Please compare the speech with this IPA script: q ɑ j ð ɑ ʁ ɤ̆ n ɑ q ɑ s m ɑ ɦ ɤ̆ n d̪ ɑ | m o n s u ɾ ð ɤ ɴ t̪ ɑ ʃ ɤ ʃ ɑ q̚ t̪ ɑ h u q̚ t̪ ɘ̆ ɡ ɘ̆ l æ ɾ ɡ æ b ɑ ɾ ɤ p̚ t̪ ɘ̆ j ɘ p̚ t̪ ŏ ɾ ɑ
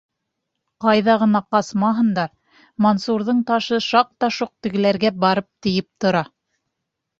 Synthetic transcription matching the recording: q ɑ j ð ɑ ʁ ɤ̆ n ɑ q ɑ s m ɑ ɦ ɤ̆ n d̪ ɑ | m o n s u ɾ ð ɤ ɴ t̪ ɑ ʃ ɤ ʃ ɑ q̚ t̪ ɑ ʃ u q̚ t̪ ɘ̆ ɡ ɘ̆ l æ ɾ ɡ æ b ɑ ɾ ɤ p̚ t̪ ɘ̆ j ɘ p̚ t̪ ŏ ɾ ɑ